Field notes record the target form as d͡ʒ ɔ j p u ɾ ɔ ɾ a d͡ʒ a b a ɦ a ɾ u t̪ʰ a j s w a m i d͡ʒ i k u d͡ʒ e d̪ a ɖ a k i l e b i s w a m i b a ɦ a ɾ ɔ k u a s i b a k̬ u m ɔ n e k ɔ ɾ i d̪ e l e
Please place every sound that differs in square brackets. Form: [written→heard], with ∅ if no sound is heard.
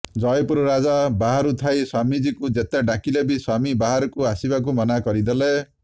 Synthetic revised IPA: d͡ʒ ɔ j p u ɾ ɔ ɾ a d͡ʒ a b a ɦ a ɾ u t̪ʰ a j s w a m i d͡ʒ i k u d͡ʒ e [d̪→t̪] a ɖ a k i l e b i s w a m i b a ɦ a ɾ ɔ k u a s i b a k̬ u m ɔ n [e→a] k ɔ ɾ i d̪ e l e